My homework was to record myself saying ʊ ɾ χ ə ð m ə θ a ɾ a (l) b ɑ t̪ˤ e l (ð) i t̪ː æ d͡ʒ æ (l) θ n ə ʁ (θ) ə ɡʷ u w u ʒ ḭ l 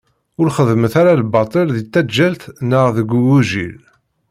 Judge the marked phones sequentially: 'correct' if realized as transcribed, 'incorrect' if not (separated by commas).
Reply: correct, correct, correct, incorrect